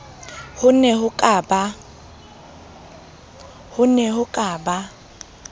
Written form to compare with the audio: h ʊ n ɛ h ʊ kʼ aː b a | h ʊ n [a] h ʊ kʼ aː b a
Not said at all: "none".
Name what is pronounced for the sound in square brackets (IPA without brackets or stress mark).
ɛ